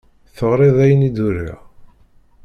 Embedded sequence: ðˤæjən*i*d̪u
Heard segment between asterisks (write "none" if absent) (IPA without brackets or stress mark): i